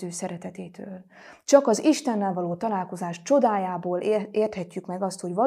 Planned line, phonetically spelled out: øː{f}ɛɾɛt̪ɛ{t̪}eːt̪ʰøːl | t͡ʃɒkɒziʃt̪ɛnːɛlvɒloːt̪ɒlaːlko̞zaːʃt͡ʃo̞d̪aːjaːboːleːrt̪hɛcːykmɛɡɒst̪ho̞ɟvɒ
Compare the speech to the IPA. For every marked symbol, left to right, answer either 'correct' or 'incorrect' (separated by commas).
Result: incorrect, correct